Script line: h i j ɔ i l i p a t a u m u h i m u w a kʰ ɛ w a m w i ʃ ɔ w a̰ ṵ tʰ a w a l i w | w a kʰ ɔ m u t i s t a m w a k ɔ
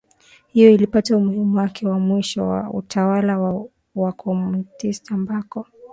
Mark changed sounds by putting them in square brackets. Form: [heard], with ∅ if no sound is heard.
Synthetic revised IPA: h i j ɔ i l i p a t a u m u h i m u w a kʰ ɛ w a m w i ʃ ɔ w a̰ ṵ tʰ a w a l [a] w | w a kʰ ɔ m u t i s t a m [b] a k ɔ